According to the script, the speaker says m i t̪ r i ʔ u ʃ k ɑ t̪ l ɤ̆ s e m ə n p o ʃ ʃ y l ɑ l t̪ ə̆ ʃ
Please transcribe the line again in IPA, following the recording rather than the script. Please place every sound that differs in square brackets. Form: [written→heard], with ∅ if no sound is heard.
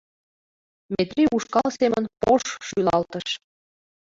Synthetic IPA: m [i→e] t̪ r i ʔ u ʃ k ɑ [t̪→∅] l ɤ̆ s e m ə n p o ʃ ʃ y l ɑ l t̪ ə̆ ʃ